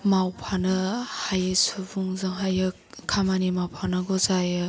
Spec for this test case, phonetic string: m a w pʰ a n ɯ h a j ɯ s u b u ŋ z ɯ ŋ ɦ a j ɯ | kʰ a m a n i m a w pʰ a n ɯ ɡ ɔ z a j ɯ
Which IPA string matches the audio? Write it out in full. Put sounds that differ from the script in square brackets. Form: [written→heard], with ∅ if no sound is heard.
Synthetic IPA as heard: m a w pʰ a n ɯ h a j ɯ s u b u ŋ z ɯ ŋ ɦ a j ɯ | kʰ a m a n i m a w pʰ a n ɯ ɡ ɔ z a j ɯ

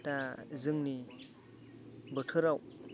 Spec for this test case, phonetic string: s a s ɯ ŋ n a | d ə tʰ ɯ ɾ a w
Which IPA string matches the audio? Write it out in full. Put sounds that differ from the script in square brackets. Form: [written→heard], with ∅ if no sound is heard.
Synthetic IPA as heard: [s→t] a [s→z] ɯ ŋ n [a→i] | [d→b] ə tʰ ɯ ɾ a w

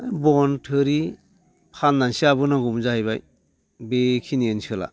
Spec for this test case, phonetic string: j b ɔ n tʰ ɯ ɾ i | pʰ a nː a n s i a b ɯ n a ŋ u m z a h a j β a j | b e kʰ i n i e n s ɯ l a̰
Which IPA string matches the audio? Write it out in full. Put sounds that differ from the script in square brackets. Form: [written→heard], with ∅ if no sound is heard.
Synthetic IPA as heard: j b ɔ n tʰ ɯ ɾ i | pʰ a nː a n s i a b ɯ n a [ŋ→ɡ] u m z a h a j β a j | b e kʰ i n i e n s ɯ l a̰

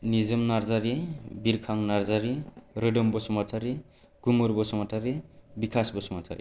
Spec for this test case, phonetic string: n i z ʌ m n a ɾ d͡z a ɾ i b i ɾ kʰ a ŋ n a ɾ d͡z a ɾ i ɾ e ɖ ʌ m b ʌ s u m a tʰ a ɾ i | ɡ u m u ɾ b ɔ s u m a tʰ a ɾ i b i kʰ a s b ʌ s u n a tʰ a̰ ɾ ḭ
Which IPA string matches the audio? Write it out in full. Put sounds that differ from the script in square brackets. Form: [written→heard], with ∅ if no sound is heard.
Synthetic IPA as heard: n i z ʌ m n a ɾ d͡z a ɾ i b i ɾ kʰ a ŋ n a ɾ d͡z a ɾ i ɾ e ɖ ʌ m b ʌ s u m a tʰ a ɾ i | ɡ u m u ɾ b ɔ s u m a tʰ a ɾ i b i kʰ a s b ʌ s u [n→m] a tʰ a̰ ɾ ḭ

